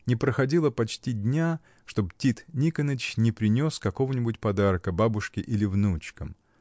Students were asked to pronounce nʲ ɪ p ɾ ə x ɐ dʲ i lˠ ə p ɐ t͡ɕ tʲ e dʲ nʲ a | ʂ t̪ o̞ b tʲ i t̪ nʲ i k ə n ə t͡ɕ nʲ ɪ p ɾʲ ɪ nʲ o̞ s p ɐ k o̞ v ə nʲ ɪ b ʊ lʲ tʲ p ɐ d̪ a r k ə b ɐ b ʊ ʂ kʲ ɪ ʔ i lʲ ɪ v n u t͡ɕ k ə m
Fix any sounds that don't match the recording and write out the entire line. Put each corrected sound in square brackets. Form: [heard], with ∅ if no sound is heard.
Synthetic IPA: nʲ ɪ p ɾ ə x ɐ dʲ i lˠ ə p ɐ t͡ɕ tʲ [i] dʲ nʲ a | ʂ t̪ o̞ b tʲ i t̪ nʲ i k ə n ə t͡ɕ nʲ ɪ p ɾʲ ɪ nʲ o̞ s [k] ɐ k o̞ v ə nʲ ɪ b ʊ [∅] tʲ p ɐ d̪ a r k ə b [a] b ʊ ʂ kʲ ɪ ʔ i lʲ ɪ v n u t͡ɕ k ə m